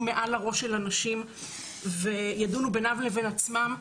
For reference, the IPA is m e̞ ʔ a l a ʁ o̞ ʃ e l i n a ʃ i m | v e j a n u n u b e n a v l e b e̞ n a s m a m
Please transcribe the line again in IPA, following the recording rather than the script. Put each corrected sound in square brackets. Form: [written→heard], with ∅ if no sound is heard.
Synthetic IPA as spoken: m e̞ ʔ a l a ʁ o̞ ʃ e l [i→a] n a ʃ i m | v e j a [n→d] u n u b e n a v l e [b→v] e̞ n a [s→t͡s] m a m